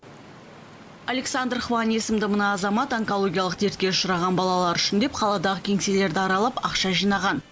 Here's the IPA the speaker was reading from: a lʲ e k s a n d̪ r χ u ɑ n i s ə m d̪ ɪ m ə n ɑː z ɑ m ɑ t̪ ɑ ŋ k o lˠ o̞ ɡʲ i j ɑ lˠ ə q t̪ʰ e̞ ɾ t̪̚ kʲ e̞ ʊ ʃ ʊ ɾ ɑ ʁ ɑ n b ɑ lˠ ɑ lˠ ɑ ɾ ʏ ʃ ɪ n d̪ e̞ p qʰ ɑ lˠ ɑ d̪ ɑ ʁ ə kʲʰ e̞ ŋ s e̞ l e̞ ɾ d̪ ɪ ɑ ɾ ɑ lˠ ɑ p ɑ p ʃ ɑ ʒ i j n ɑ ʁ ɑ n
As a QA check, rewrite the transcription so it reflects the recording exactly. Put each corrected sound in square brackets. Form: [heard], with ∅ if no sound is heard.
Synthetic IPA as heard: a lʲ e k s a n d̪ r χ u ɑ n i s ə m d̪ ɪ m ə n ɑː z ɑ m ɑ t̪ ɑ ŋ k o lˠ o̞ ɡʲ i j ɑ lˠ ə q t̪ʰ e̞ ɾ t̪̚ kʲ e̞ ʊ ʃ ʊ ɾ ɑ ʁ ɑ n b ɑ lˠ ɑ lˠ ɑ ɾ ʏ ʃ ɪ n d̪ e̞ p qʰ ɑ lˠ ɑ d̪ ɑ ʁ ə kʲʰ e̞ ŋ s e̞ l e̞ ɾ d̪ ɪ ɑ ɾ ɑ lˠ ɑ p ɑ [q] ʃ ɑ ʒ i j n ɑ ʁ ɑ n